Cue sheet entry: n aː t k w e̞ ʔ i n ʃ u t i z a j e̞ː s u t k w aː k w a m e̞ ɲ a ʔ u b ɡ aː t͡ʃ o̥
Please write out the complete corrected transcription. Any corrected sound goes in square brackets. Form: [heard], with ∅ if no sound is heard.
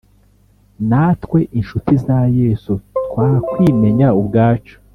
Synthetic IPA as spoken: n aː t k w e̞ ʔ i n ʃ u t i z a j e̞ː s u t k w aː k w [i] m e̞ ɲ a [∅] u b ɡ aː t͡ʃ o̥